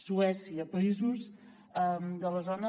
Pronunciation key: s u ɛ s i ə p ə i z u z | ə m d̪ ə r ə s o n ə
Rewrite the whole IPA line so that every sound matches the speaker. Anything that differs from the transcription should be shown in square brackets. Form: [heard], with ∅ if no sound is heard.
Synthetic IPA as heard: s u ɛ s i ə p ə i z u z | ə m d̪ ə [l] ə [z] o n ə